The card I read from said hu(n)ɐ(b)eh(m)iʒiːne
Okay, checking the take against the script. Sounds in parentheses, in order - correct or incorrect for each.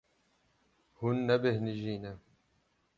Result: incorrect: nː, correct, incorrect: n

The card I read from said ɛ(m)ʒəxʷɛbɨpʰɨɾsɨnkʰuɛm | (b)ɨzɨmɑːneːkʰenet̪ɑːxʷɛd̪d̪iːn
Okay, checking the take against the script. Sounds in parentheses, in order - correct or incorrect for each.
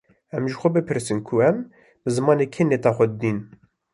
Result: correct, correct

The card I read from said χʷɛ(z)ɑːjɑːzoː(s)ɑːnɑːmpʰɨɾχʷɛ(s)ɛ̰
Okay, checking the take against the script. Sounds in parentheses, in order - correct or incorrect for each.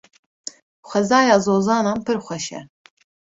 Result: correct, incorrect: z, incorrect: ʃ

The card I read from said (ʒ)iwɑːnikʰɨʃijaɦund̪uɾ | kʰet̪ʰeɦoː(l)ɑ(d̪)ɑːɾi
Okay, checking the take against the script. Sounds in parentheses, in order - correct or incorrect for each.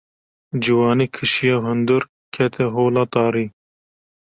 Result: incorrect: d͡ʒ, correct, incorrect: t̪

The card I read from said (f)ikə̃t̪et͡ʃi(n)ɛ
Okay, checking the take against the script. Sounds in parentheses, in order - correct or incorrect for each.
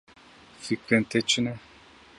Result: correct, correct

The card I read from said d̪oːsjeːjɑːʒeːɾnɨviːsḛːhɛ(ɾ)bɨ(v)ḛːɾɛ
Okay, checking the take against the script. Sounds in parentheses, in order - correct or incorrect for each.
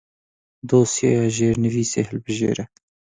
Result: incorrect: l, incorrect: ʒ

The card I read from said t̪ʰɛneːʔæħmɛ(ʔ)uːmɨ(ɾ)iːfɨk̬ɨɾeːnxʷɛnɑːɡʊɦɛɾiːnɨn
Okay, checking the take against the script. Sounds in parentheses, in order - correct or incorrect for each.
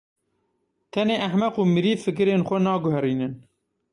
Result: incorrect: q, correct

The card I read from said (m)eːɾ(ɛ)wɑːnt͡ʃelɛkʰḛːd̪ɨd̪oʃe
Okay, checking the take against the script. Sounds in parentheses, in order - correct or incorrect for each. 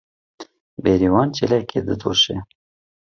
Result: incorrect: b, incorrect: i

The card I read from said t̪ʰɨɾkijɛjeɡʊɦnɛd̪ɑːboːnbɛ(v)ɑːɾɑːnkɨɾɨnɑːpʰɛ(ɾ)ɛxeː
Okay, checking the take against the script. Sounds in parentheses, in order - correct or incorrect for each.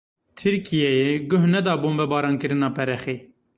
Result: incorrect: b, correct

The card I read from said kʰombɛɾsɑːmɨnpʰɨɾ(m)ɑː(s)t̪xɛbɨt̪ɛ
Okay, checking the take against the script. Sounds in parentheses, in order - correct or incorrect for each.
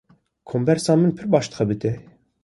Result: incorrect: b, incorrect: ʃ

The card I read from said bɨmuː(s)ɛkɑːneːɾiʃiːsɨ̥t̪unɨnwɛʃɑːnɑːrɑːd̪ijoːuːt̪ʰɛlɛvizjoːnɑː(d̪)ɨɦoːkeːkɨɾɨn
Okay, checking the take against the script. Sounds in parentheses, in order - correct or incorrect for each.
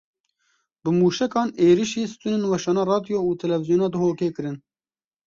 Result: incorrect: ʃ, correct

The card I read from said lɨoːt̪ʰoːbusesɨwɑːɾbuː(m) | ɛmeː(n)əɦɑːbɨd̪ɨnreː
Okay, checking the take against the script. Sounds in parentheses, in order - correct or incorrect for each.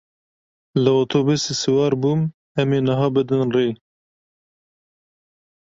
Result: correct, correct

